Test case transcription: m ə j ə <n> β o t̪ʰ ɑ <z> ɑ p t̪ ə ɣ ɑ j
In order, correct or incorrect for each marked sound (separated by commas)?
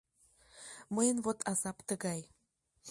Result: correct, correct